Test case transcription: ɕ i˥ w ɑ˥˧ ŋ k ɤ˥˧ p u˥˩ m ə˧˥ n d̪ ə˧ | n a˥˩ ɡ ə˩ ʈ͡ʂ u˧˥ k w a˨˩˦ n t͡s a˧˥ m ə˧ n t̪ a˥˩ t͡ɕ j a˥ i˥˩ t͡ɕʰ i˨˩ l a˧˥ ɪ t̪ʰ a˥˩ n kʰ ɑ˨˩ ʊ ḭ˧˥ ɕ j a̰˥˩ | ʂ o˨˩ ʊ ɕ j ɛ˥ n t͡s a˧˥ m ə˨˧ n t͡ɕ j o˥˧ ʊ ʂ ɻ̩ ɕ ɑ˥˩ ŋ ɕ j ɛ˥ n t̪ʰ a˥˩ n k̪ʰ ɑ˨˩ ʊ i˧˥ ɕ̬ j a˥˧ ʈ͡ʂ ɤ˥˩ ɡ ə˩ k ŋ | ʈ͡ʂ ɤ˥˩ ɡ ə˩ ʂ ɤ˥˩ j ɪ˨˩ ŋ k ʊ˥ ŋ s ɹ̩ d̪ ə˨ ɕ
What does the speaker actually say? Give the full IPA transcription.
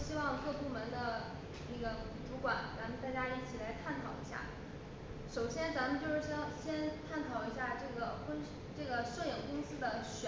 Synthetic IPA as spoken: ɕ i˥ w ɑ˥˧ ŋ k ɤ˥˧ p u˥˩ m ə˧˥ n d̪ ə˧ | n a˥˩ ɡ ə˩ ʈ͡ʂ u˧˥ k w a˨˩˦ n t͡s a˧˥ m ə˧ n t̪ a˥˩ t͡ɕ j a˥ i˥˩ t͡ɕʰ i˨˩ l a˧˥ ɪ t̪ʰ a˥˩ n kʰ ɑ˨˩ ʊ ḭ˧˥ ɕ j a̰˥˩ | ʂ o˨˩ ʊ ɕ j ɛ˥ n t͡s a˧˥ m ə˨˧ n t͡ɕ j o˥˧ ʊ ʂ ɻ̩ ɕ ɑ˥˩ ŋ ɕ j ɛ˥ n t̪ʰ a˥˩ n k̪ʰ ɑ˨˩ ʊ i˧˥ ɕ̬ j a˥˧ ʈ͡ʂ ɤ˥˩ ɡ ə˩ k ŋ | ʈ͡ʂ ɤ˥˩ ɡ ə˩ ʂ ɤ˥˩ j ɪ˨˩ ŋ k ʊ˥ ŋ s ɹ̩ d̪ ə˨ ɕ